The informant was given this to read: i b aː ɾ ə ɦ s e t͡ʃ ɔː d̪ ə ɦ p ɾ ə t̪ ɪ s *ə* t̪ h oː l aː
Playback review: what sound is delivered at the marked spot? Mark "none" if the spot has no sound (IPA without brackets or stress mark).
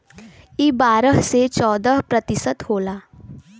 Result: ə